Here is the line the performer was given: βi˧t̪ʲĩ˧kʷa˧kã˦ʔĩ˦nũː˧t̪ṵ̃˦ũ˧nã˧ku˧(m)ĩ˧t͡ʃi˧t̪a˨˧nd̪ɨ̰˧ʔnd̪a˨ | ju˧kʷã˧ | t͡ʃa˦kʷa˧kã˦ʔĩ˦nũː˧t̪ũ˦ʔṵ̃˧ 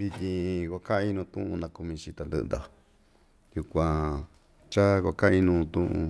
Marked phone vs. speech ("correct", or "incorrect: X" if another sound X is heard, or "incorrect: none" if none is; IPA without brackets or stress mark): correct